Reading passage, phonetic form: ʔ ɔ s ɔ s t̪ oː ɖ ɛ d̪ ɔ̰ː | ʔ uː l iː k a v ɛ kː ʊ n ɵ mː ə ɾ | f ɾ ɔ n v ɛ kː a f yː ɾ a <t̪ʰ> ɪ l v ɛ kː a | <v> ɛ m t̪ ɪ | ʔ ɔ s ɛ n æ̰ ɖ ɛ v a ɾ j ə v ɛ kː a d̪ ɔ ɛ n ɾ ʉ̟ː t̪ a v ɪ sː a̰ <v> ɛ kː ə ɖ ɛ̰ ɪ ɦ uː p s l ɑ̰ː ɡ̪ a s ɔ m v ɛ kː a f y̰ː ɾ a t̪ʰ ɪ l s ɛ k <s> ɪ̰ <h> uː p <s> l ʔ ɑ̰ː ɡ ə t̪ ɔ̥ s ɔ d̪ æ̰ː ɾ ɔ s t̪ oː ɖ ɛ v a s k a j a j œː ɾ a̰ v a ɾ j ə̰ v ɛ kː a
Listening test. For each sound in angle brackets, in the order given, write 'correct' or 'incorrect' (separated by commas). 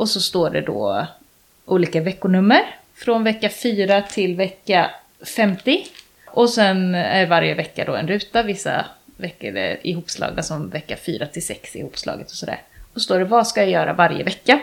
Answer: correct, incorrect, correct, correct, correct, correct